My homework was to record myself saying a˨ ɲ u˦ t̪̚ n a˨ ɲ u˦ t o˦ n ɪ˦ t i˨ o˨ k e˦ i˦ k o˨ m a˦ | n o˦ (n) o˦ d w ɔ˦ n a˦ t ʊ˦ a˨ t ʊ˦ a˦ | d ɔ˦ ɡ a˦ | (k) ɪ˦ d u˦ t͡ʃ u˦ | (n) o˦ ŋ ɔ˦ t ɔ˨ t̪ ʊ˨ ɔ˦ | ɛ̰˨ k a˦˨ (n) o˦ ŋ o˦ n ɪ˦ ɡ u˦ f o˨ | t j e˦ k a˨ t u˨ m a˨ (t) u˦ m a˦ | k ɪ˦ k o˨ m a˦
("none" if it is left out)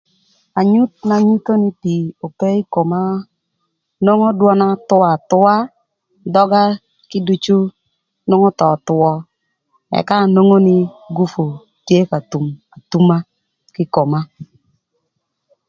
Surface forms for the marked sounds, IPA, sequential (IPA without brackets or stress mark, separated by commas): ŋ, k, n, n, t